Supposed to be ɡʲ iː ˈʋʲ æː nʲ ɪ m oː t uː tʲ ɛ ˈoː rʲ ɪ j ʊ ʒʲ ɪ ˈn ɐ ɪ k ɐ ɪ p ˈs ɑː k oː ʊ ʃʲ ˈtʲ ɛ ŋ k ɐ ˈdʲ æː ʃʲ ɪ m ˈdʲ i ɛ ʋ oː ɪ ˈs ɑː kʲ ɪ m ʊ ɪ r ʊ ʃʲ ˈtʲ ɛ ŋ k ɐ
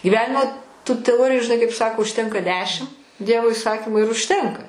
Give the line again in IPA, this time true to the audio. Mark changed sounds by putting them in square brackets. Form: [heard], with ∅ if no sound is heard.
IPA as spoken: ɡʲ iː ˈʋʲ æː nʲ ɪ m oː t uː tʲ ɛ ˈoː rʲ ɪ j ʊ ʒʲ ɪ ˈn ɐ ɪ k ɐ ɪ p ˈs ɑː k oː ʊ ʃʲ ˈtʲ ɛ ŋ k ɐ ˈdʲ æː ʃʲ ɪ m ˈdʲ i ɛ ʋ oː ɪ ˈs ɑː kʲ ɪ m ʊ ɪ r ʊ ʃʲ ˈtʲ ɛ ŋ k ɐ